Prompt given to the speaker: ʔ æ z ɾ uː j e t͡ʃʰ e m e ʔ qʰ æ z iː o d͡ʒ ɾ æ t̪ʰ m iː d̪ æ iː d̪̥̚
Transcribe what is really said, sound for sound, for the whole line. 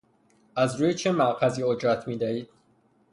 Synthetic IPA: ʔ æ z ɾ uː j e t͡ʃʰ e m æ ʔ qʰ æ z iː o d͡ʒ ɾ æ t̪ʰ m iː d̪ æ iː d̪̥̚